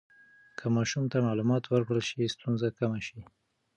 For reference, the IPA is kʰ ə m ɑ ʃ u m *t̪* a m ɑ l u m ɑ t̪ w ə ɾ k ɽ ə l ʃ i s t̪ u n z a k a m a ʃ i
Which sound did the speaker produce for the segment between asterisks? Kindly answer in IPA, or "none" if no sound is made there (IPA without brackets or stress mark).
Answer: t̪